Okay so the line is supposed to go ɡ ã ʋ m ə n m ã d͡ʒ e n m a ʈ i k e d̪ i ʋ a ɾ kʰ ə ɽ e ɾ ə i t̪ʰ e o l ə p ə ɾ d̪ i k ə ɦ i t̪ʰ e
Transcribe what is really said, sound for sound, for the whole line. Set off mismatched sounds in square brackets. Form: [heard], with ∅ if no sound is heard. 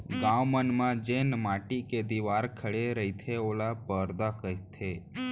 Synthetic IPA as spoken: ɡ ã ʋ m ə n m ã d͡ʒ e n m a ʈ i k e d̪ i ʋ a ɾ kʰ ə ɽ e ɾ ə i t̪ʰ e o l [a] p ə ɾ d̪ [a] k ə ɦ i t̪ʰ e

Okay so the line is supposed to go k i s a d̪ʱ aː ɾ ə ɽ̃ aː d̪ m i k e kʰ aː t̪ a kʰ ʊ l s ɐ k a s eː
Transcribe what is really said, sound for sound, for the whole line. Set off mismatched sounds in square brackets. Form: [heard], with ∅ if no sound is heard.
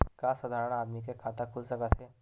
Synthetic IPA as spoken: k [a] s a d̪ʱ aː ɾ ə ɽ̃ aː d̪ m i k e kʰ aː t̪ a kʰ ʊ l s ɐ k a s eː

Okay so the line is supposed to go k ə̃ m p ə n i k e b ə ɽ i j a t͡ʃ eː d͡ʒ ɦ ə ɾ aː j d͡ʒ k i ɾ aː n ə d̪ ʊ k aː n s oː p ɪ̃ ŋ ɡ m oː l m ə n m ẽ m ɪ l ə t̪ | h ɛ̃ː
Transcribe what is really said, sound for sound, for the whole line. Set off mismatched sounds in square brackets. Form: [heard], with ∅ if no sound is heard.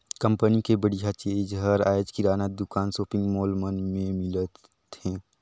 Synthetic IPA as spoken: k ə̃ m p ə n i k e b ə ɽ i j a t͡ʃ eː d͡ʒ ɦ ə ɾ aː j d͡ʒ k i ɾ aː n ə d̪ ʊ k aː n s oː p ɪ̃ ŋ ɡ m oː l m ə n m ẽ m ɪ l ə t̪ | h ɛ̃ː

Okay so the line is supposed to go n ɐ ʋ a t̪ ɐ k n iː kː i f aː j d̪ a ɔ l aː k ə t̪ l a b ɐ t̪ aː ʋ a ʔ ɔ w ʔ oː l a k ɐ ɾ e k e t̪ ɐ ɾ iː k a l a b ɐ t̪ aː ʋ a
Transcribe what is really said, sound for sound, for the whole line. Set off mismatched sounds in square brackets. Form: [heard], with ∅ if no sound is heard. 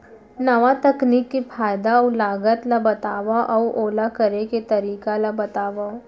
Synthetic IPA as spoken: n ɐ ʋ a t̪ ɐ k n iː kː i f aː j d̪ a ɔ l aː [ɡ] ə t̪ l a b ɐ t̪ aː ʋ a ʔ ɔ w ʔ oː l a k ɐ ɾ e k e t̪ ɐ ɾ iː k a l a b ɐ t̪ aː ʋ a

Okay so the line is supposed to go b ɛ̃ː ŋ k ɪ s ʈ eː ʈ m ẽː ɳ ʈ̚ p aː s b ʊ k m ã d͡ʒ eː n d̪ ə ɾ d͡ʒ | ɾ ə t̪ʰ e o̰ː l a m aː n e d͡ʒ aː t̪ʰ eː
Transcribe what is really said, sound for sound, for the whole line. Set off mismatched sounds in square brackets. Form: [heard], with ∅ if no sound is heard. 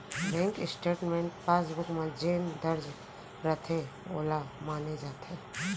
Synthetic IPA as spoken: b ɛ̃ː ŋ k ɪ s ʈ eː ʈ m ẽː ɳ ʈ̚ p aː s b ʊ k m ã d͡ʒ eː n d̪ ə ɾ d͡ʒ | ɾ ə t̪ʰ e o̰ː l a m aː n e d͡ʒ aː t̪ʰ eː

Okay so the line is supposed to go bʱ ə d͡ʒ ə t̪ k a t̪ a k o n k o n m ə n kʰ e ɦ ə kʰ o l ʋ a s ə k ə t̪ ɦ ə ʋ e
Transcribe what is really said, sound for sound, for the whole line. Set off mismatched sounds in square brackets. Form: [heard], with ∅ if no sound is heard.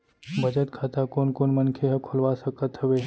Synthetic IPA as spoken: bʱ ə d͡ʒ ə t̪ [kʰ] a t̪ a k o n k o n m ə n kʰ e ɦ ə kʰ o l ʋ a s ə k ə t̪ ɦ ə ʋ e

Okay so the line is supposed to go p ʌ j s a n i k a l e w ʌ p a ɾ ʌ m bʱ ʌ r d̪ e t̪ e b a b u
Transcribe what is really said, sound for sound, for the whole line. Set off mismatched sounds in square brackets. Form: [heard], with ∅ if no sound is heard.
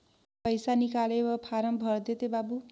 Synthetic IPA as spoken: p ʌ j s a n i k a l e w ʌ [pʰ] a ɾ ʌ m bʱ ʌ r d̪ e t̪ e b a b u

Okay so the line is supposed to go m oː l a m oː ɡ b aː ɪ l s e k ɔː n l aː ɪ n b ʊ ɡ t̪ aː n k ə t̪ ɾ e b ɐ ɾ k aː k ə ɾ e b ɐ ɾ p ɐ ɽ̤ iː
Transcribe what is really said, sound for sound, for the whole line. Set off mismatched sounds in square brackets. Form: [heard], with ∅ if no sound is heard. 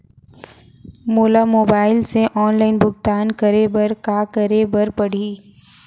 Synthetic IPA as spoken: m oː l a m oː [∅] b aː ɪ l s e [ʔ] ɔː n l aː ɪ n b ʊ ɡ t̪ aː n k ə [∅] ɾ e b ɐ ɾ k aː k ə ɾ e b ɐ ɾ p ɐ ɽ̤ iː

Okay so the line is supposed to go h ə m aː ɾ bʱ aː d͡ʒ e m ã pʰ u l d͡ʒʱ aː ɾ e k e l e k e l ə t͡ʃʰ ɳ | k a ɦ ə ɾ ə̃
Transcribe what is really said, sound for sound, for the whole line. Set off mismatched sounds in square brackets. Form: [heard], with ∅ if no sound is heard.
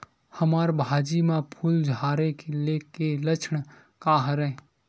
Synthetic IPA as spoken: h ə m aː ɾ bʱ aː d͡ʒ [i] m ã pʰ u l d͡ʒʱ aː ɾ e k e l e k e l ə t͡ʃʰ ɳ | k a ɦ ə ɾ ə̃

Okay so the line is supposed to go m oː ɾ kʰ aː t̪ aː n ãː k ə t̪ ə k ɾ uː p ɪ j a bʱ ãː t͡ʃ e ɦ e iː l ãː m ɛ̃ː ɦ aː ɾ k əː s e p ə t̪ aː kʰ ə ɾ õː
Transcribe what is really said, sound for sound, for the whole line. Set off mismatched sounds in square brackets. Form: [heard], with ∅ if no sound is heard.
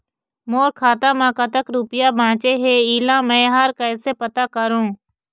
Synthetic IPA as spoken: m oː ɾ kʰ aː t̪ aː [m] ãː k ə t̪ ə k ɾ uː p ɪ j a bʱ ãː t͡ʃ e ɦ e iː l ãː m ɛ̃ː ɦ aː ɾ k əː s e p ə t̪ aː [k] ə ɾ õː

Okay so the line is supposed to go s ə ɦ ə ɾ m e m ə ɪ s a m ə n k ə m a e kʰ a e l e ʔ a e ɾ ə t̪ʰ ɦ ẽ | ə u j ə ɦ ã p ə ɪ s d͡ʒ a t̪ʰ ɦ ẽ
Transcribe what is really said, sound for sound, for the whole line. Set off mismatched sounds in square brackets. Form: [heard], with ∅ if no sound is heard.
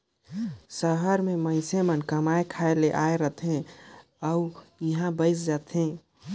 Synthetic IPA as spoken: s ə ɦ ə ɾ m e m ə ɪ s [e] m ə n k ə m a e kʰ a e l e ʔ a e ɾ ə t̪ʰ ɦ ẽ | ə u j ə ɦ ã [b] ə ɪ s d͡ʒ a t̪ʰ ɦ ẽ

